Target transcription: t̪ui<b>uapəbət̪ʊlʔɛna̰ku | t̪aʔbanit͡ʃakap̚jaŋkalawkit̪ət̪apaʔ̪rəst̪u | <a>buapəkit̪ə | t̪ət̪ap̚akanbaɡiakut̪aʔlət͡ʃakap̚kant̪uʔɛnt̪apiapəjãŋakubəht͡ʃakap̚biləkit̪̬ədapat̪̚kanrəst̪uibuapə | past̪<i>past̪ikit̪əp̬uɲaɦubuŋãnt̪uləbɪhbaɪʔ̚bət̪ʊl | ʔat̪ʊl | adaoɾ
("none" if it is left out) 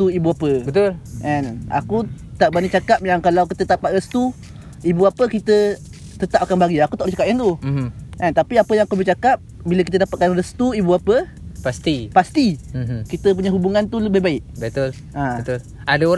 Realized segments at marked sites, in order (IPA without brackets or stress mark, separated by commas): b, i, i